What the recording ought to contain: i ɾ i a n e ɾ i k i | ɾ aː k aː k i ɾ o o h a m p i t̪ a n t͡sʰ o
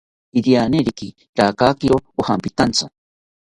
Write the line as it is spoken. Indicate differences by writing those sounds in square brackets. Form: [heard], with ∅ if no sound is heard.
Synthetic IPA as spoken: i ɾ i a n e ɾ i k i | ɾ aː k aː k i ɾ o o h a m p i t̪ a n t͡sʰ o